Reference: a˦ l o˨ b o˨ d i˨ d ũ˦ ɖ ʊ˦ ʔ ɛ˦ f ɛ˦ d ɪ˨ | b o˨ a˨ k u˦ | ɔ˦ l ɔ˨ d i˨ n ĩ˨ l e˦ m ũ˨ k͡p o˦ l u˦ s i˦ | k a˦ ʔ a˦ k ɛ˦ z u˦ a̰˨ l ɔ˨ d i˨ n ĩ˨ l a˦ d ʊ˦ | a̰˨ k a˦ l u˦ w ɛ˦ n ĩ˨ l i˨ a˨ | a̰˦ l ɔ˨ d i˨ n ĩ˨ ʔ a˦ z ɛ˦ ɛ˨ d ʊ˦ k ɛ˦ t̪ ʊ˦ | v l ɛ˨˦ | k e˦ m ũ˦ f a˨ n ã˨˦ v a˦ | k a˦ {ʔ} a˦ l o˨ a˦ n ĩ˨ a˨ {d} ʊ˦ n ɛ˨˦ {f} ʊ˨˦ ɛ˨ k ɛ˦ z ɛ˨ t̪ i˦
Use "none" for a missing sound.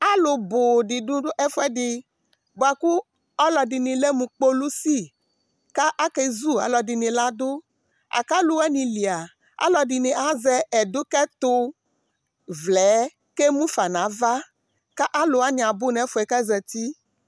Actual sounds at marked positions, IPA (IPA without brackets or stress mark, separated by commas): ʔ, b, f